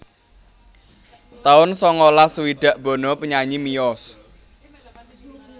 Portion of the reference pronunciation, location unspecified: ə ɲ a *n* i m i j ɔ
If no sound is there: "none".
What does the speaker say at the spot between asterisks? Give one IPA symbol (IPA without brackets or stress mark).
ɲ